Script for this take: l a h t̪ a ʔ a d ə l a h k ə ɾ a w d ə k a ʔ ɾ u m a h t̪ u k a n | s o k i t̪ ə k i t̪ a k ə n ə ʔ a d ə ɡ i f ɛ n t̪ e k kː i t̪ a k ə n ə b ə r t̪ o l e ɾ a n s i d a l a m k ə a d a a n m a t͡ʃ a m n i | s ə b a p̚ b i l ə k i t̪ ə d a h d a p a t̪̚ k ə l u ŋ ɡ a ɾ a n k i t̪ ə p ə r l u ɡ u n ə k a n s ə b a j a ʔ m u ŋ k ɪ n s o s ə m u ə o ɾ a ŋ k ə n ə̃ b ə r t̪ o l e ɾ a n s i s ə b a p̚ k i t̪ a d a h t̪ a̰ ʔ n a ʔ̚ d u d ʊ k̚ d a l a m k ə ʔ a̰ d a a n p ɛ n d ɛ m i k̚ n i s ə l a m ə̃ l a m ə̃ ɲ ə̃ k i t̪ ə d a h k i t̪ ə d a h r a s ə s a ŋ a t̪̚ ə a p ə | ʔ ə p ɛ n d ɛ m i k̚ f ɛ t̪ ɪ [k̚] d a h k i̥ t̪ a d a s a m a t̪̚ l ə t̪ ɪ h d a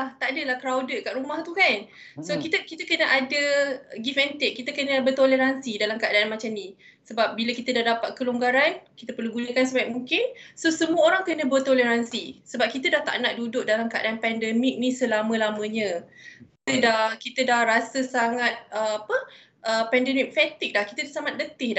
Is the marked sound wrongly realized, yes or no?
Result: no